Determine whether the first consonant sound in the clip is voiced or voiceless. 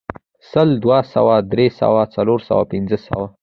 voiceless